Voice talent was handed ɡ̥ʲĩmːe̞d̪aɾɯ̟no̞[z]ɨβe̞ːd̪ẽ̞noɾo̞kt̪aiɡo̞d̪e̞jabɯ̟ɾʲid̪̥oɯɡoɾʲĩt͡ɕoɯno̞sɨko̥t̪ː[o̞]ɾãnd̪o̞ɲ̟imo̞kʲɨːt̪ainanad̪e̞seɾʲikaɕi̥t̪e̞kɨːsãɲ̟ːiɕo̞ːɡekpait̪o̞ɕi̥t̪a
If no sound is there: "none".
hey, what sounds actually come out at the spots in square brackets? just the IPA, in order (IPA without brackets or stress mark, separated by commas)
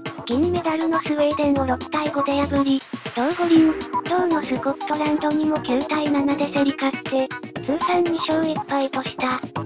s, o̞